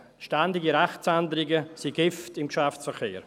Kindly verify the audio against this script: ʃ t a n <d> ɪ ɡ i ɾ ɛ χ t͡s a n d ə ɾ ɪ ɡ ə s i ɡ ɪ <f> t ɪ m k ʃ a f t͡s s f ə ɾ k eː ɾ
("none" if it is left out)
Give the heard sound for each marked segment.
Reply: d, f

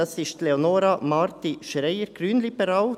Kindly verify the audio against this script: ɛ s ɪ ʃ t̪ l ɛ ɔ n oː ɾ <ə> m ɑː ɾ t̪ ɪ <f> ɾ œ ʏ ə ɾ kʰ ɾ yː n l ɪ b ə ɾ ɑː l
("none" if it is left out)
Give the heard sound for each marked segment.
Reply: ɑ, ʃ

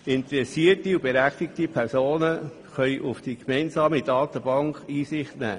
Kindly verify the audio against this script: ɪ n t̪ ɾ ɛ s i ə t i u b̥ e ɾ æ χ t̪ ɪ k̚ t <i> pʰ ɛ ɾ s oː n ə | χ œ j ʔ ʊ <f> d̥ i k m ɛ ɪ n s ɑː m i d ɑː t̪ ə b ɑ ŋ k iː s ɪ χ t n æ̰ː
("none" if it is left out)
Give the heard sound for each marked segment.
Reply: i, f

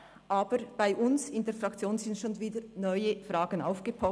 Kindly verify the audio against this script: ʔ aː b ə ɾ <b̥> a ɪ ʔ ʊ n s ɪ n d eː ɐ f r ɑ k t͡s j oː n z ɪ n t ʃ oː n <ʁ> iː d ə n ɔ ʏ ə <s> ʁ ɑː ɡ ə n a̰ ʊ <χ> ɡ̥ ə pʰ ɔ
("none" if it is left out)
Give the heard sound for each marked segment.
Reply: b̥, v, f, f

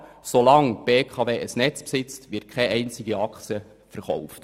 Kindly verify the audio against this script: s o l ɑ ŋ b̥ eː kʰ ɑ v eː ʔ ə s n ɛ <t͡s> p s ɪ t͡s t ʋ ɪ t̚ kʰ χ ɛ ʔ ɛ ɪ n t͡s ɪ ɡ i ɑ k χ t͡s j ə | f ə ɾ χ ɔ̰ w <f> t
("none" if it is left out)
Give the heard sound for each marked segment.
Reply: t͡s, f

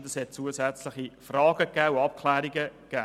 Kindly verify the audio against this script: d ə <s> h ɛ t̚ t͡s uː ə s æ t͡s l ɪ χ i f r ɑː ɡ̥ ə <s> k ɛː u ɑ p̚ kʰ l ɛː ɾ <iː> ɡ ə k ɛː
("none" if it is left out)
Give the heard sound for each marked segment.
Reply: s, none, i

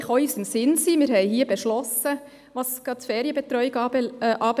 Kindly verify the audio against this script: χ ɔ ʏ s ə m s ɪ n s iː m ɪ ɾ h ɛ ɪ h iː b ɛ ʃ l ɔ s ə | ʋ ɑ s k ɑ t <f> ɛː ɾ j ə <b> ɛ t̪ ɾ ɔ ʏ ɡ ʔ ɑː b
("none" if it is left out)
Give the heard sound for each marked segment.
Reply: f, b

